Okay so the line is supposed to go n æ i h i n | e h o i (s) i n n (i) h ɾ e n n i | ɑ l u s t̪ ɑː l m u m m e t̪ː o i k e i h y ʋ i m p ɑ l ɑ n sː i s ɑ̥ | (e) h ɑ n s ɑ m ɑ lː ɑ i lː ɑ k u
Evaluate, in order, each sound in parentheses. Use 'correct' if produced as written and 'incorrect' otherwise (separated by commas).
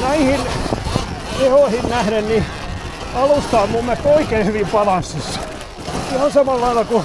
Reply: incorrect, incorrect, incorrect